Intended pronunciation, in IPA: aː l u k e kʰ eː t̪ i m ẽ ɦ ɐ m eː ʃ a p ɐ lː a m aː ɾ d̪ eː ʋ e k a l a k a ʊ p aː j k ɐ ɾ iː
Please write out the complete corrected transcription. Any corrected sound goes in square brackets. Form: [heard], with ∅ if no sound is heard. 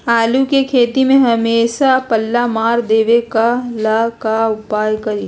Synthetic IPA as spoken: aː l u k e kʰ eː t̪ i m ẽ ɦ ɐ m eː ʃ a p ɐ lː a m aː ɾ d̪ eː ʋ e k a l a k a ʊ p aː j k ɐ ɾ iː